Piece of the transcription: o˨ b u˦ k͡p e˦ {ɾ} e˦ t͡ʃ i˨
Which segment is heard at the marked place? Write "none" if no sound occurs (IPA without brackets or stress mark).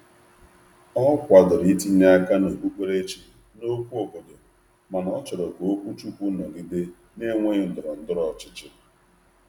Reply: ɾ